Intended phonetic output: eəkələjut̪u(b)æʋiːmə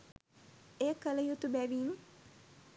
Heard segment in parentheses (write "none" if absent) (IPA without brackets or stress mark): b